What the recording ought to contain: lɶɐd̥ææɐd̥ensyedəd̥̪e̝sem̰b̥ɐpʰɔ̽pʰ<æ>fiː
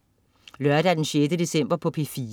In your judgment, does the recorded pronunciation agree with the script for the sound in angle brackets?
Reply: no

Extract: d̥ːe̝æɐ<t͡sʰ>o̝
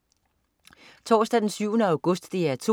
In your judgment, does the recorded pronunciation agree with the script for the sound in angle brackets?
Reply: yes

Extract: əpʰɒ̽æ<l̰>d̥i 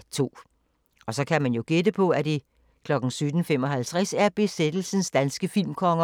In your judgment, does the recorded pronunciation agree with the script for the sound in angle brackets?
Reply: no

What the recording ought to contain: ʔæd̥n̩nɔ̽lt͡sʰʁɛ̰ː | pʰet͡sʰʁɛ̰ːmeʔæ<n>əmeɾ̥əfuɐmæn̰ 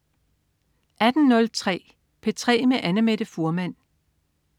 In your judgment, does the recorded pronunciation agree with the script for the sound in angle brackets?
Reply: yes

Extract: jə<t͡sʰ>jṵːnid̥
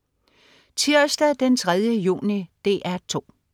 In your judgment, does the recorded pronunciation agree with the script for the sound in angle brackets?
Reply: no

